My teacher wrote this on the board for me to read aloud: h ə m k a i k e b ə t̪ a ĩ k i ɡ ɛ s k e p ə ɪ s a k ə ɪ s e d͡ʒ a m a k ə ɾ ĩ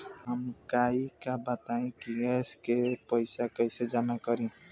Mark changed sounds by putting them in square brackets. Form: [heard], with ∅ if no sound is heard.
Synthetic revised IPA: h ə m k a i k [a] b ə t̪ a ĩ k i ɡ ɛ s k e p ə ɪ s a k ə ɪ s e d͡ʒ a m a k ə ɾ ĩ